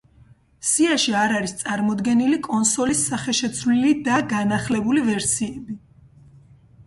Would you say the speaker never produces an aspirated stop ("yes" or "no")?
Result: yes